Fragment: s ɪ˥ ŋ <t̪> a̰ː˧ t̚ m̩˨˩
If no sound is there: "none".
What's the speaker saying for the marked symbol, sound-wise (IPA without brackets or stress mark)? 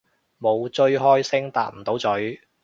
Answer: t̪